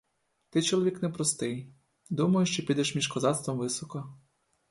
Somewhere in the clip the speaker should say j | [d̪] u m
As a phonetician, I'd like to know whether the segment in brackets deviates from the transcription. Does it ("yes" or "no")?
no